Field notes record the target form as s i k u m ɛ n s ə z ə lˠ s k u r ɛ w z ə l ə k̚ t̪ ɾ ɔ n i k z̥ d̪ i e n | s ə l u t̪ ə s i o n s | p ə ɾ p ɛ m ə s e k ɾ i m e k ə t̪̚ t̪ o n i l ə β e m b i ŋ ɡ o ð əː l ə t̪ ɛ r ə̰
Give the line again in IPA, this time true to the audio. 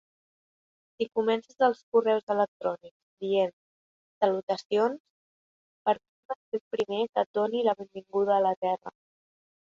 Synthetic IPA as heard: s i k u m ɛ n s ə z ə lˠ s k u r ɛ w z ə l ə k̚ t̪ ɾ ɔ n i k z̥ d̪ i e n | s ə l u t̪ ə s i o n s | p ə ɾ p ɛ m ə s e p ɾ i m e k ə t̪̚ d̪ o n i l ə β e m b i ŋ ɡ u ð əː l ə t̪ ɛ r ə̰